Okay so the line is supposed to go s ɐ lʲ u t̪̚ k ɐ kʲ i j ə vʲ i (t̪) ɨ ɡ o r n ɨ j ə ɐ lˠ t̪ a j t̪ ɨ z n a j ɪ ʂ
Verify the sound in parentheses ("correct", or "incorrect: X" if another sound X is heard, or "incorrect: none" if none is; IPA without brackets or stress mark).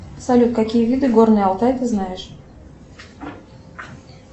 incorrect: d̪